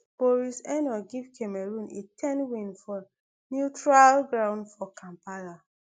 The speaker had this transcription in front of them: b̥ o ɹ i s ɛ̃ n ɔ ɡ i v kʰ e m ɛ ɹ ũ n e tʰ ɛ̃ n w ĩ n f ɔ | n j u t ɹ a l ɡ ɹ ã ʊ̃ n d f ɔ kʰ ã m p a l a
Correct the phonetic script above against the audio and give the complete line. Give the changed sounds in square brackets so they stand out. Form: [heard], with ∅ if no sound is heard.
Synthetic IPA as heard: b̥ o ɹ i s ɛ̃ n ɔ ɡ i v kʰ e m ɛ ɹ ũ n e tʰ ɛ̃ n w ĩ n f ɔ | n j u t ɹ a l ɡ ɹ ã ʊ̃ n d f ɔ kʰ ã m p a l a